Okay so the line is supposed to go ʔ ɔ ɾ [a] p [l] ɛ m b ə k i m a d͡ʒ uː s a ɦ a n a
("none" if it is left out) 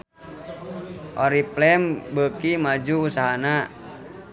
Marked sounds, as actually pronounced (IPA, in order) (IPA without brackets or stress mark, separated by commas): i, l